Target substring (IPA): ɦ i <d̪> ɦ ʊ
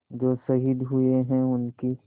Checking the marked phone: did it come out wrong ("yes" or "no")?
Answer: no